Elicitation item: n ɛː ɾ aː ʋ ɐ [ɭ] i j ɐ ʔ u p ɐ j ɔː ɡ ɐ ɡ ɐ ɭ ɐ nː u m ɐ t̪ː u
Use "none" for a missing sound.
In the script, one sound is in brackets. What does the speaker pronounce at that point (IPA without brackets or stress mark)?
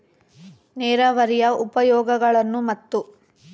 ɾ